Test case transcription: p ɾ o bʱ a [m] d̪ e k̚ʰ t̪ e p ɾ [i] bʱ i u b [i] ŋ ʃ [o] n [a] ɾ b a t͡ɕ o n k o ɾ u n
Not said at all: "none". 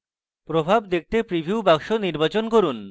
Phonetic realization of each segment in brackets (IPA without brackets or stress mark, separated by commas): b, i, a, o, i